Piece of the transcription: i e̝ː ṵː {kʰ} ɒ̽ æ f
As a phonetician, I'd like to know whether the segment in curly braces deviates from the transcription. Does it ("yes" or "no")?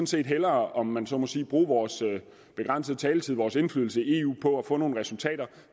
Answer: yes